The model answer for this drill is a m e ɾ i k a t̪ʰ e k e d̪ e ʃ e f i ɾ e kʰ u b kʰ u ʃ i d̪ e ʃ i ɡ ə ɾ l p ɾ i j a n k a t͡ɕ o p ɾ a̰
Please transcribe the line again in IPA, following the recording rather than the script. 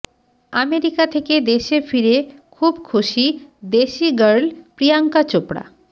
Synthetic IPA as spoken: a m e ɾ i k a t̪ʰ e k e d̪ e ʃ e f i ɾ e kʰ u b kʰ u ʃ i d̪ e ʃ i ɡ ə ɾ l p ɾ i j a ŋ k a t͡ɕ o p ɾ a̰